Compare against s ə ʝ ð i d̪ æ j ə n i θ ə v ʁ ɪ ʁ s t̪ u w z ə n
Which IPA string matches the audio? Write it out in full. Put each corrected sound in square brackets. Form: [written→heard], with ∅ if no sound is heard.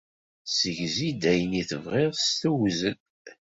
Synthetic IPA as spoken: s ə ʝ [ð→z] i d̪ æ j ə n i θ ə v ʁ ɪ ʁ s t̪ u w z ə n